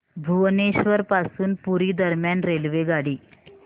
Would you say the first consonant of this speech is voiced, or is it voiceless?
voiced